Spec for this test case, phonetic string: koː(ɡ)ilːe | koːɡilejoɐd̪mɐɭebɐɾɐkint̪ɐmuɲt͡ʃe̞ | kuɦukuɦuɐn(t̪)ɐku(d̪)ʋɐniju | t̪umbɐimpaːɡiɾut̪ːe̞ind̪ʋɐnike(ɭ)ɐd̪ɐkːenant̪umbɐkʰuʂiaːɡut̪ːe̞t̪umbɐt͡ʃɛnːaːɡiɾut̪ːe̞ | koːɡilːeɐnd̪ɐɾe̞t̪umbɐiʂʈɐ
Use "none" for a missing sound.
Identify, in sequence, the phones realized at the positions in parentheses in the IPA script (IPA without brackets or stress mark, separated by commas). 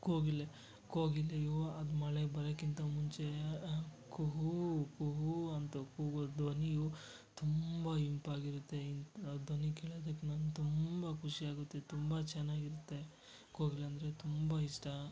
ɡ, t̪, d̪, ɭ